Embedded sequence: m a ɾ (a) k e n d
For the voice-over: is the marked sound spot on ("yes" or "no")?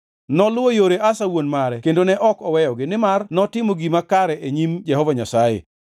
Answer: no